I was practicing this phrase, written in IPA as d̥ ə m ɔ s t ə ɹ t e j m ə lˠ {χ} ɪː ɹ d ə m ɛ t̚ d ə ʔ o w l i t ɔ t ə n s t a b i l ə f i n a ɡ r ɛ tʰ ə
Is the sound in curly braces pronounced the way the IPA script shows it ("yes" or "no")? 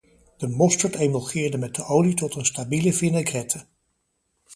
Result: yes